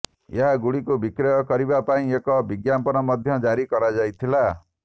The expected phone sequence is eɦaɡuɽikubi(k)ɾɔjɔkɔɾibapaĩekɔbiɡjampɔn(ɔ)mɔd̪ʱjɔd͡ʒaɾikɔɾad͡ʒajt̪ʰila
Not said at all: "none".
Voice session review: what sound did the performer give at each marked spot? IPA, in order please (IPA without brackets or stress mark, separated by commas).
k, ɔ